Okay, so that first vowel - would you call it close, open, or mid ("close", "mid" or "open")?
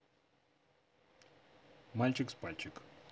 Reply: open